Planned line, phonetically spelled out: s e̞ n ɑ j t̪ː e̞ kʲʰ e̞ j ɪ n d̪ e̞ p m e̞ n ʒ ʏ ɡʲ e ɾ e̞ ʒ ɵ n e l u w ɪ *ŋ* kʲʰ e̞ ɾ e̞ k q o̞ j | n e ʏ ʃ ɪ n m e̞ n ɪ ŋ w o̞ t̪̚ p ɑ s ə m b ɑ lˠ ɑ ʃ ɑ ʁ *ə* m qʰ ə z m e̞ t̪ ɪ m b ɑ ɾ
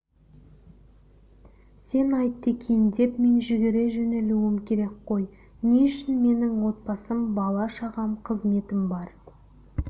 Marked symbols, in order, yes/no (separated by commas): no, no